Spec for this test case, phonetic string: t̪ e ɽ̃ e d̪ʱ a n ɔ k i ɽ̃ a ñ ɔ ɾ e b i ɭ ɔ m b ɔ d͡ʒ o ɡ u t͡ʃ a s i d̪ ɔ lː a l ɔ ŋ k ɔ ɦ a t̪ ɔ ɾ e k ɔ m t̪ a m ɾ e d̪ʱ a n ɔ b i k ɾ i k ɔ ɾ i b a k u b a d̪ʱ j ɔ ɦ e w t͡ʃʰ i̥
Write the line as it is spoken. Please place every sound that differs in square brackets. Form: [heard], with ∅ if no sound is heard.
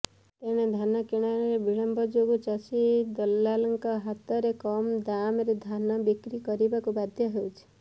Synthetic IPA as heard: t̪ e ɽ̃ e d̪ʱ a n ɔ k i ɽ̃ a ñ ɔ ɾ e b i ɭ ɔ m b ɔ d͡ʒ o ɡ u t͡ʃ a s i d̪ ɔ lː a l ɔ ŋ k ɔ ɦ a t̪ ɔ ɾ e k ɔ m [d̪] a m ɾ e d̪ʱ a n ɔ b i k ɾ i k ɔ ɾ i b a k u b a d̪ʱ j ɔ ɦ e w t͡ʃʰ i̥